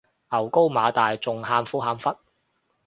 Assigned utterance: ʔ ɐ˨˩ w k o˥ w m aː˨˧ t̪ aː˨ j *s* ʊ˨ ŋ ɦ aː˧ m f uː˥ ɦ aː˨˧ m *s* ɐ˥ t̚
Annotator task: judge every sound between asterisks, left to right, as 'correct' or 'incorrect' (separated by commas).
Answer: incorrect, incorrect